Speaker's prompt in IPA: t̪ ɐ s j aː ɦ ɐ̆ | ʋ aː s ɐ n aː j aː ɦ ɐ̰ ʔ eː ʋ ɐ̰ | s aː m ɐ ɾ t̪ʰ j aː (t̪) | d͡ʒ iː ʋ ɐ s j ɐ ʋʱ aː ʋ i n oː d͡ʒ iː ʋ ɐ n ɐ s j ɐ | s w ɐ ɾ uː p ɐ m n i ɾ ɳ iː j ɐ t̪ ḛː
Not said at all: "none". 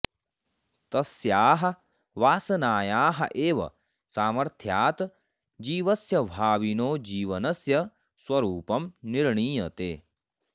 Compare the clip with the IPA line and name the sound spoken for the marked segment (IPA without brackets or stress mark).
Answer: t̪